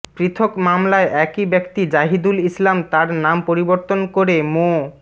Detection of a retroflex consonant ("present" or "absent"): absent